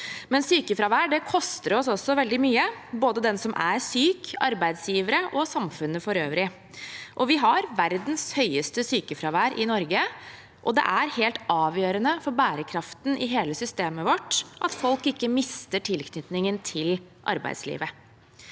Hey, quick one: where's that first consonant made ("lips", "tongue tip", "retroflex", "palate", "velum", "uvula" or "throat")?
lips